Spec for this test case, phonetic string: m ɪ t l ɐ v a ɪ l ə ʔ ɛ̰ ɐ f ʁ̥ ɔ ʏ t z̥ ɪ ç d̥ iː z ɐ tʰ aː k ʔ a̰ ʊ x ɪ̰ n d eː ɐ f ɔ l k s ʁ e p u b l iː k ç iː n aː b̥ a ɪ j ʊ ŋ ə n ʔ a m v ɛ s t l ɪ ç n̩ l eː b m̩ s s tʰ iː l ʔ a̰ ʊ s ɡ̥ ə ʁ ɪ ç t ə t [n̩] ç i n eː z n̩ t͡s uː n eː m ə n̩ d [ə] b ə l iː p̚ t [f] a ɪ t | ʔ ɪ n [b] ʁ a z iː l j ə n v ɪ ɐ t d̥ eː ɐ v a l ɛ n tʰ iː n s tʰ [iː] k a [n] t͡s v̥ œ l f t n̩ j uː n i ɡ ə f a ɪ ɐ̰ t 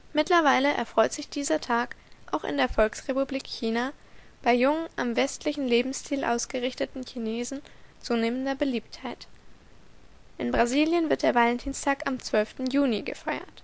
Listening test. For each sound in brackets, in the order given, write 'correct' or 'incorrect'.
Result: correct, incorrect, incorrect, correct, incorrect, incorrect

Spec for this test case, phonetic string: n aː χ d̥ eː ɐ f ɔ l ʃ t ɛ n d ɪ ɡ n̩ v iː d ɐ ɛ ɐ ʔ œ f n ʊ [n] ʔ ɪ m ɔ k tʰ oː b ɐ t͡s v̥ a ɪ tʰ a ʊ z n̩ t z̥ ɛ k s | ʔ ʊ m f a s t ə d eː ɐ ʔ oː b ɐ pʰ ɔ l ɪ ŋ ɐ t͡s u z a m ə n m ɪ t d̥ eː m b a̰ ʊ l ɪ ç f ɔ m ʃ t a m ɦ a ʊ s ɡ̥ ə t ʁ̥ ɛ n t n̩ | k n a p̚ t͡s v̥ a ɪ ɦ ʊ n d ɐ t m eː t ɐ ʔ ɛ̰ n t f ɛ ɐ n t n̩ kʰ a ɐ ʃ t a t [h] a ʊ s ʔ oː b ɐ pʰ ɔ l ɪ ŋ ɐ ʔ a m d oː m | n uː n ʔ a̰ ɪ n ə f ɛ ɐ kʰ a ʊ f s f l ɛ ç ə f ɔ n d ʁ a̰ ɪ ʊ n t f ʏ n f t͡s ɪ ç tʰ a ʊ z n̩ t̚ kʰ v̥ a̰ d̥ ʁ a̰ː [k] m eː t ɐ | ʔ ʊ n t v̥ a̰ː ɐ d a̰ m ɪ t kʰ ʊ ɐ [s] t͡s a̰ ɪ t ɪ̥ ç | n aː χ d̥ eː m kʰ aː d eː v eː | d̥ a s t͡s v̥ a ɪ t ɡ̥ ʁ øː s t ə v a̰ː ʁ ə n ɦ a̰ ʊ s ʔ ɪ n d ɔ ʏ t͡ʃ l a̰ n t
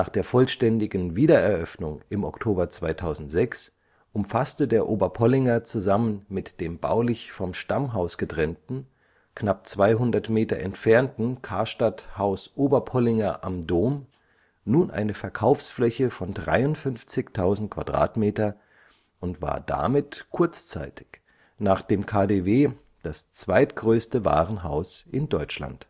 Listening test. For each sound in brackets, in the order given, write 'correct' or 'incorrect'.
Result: incorrect, correct, incorrect, incorrect

